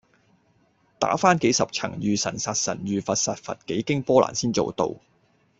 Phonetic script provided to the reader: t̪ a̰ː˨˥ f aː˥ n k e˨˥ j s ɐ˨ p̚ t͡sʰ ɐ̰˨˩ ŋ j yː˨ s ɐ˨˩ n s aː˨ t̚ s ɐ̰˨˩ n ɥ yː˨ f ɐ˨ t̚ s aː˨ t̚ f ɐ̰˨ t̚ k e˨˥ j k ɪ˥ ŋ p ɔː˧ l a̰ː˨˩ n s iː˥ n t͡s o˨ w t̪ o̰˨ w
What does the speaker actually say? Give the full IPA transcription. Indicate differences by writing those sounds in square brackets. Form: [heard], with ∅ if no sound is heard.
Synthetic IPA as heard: t̪ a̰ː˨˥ f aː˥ n k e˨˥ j s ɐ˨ p̚ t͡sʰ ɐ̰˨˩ ŋ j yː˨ s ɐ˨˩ n s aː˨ t̚ s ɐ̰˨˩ n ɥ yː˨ f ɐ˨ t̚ s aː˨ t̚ f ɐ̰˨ t̚ k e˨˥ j k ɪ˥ ŋ p [ɔː˥] l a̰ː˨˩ n s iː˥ n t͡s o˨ w t̪ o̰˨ w